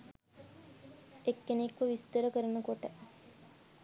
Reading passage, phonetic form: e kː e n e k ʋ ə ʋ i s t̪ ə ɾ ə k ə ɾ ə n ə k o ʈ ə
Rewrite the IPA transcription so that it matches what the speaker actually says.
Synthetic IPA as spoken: e kː e n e k ʋ ə ʋ i s t̪ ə ɾ ə k ə ɾ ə n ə k o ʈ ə

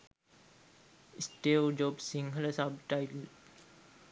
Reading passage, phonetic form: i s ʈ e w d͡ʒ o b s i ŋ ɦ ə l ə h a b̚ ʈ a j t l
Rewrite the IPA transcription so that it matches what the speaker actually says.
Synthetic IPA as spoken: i s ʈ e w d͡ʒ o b s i ŋ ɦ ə l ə s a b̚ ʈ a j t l

